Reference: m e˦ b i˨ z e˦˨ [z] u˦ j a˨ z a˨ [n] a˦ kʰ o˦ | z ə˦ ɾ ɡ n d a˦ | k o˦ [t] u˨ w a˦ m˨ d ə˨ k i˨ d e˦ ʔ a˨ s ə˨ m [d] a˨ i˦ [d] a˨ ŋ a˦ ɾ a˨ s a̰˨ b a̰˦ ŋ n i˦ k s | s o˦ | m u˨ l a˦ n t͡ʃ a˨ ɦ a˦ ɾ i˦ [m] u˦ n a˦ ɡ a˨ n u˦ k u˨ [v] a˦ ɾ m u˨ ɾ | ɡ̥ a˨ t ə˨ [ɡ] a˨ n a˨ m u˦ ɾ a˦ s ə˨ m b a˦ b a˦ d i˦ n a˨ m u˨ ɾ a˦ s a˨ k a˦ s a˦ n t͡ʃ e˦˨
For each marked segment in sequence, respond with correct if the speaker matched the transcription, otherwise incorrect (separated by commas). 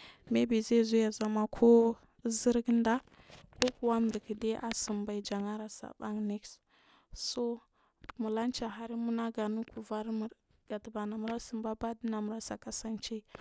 correct, incorrect, incorrect, incorrect, incorrect, correct, correct, incorrect